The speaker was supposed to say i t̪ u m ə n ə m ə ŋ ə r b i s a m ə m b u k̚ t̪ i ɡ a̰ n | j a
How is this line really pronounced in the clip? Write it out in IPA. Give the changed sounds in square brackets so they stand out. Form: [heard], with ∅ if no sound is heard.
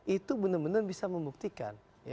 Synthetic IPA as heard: i t̪ u [b] ə n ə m ə [n] ə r b i s a m ə m b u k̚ t̪ i [k] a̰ n | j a